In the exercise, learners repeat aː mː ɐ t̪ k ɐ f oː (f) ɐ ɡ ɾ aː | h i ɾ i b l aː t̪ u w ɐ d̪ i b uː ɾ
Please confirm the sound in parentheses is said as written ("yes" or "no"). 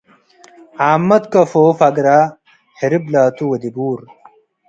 yes